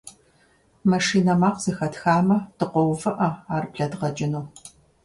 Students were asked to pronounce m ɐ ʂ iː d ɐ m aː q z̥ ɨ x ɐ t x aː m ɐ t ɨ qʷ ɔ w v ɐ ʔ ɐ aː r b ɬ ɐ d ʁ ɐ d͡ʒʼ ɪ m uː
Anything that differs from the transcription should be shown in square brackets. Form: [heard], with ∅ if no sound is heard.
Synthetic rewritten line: m ɐ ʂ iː [n] ɐ m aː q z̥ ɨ x ɐ t x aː m ɐ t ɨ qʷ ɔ w v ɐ ʔ ɐ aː r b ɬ ɐ d ʁ ɐ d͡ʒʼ ɪ [n] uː